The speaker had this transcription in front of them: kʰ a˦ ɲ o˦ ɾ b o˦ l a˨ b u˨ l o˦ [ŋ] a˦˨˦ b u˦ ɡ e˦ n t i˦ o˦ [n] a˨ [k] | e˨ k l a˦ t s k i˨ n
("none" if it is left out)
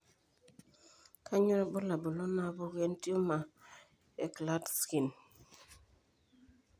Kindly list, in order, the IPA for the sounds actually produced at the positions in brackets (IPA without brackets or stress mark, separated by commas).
n, m, none